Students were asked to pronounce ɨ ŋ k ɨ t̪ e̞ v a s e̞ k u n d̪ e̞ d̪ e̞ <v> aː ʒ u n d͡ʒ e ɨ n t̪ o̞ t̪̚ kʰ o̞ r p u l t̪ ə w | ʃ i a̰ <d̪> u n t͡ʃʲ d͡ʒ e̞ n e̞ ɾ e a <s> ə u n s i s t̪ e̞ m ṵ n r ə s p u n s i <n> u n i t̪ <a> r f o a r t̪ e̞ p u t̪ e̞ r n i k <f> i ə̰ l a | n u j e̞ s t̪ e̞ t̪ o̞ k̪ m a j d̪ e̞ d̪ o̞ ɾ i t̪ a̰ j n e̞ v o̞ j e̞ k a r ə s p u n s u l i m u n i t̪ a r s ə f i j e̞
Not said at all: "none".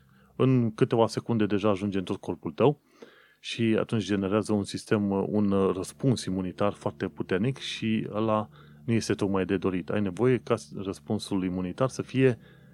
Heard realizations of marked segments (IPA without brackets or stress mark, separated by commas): ʒ, t̪, z, m, a, ʃ